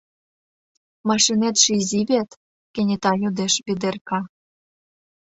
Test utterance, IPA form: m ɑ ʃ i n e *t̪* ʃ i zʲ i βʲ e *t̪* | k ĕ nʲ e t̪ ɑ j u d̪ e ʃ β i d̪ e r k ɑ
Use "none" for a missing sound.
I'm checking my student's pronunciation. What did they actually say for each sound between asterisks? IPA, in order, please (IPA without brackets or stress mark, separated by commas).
t̪, t̪